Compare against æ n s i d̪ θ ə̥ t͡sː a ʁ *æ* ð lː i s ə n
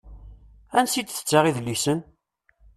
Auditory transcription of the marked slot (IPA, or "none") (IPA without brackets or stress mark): i